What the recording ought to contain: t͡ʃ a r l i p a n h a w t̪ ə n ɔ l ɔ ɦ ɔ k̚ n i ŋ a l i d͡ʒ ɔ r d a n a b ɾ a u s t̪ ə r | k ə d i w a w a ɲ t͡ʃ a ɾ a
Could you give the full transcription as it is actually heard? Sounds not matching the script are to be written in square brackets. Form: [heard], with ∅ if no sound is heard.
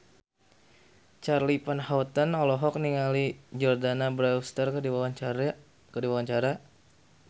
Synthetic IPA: t͡ʃ a r l i p a n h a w t̪ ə n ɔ l ɔ ɦ ɔ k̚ n i ŋ a l i d͡ʒ ɔ r d a n a b ɾ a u s t̪ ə r | k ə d i w a w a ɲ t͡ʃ a ɾ a